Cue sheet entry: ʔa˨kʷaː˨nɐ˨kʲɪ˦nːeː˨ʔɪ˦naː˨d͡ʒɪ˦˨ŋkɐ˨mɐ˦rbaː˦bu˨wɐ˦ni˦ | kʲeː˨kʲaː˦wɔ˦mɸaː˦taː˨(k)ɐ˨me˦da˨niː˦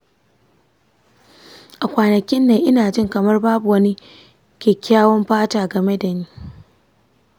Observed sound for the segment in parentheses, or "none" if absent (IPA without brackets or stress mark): ɡ